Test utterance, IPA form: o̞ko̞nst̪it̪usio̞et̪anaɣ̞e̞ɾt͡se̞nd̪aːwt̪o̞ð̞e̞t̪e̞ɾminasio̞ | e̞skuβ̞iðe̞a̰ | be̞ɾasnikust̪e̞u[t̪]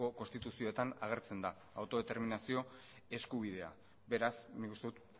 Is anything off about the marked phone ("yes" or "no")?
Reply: no